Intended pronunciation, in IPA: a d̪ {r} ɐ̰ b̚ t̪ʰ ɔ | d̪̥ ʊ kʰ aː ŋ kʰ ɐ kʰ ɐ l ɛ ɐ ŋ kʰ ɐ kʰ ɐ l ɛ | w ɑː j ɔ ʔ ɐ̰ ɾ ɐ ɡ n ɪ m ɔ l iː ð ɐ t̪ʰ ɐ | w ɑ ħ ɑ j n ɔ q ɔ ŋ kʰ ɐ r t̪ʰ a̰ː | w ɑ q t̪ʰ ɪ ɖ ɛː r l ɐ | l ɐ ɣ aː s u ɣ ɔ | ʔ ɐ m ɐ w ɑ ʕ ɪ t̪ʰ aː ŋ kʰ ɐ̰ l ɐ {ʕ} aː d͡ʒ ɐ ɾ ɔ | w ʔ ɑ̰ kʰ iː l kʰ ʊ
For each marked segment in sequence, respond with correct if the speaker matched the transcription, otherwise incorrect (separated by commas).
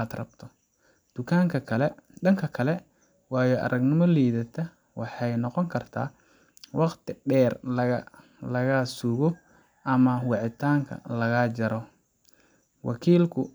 correct, incorrect